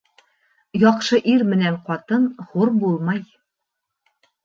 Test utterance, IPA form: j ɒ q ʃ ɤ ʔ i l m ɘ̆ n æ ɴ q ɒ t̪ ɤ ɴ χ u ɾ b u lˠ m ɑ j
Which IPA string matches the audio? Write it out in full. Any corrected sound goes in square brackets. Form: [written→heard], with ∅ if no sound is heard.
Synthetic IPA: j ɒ q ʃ ɤ ʔ i [l→ɾ] m ɘ̆ n æ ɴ q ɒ t̪ ɤ [ɴ→n] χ u ɾ b u lˠ m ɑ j